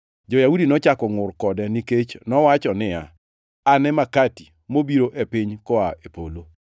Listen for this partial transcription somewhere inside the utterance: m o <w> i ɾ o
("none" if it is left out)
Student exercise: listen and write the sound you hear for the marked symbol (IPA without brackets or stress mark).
b